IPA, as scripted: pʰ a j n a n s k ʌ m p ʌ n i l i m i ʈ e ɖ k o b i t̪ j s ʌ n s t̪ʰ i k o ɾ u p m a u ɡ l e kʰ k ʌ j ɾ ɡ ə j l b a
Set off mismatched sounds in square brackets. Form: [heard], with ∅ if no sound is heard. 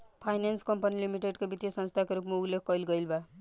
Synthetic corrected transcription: pʰ a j n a n s k ʌ m p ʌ n i l i m i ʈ e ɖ k o b i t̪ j s ʌ n s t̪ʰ [a] k o ɾ u p m a u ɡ l e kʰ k ʌ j [l] ɡ [ʌ] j l b a